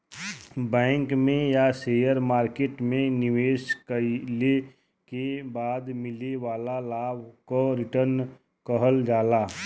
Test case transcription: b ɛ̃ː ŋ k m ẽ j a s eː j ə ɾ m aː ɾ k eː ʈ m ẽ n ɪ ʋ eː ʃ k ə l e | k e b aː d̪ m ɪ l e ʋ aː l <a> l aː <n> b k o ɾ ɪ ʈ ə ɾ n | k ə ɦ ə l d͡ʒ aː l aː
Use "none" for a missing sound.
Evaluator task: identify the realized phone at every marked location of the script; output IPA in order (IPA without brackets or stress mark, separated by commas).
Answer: a, none